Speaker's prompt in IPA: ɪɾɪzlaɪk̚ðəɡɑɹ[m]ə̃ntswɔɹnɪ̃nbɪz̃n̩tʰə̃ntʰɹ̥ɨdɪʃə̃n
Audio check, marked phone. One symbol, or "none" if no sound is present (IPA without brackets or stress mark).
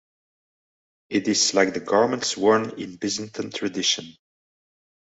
m